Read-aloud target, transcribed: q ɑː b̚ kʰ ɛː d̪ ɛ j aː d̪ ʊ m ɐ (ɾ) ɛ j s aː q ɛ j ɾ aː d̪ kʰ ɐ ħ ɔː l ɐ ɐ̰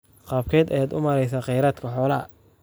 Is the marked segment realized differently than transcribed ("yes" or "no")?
no